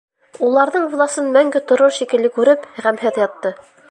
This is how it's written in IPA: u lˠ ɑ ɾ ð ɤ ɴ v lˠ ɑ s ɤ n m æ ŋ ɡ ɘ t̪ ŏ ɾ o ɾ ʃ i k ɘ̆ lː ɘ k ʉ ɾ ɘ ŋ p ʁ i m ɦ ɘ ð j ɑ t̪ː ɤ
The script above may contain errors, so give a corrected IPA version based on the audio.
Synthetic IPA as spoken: u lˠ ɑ ɾ ð ɤ ɴ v lˠ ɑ s ɤ n m æ ŋ ɡ ɘ t̪ ŏ ɾ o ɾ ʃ i k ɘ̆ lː ɘ k ʉ ɾ ɘ p ʁ æ m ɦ ɘ ð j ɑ t̪ː ɤ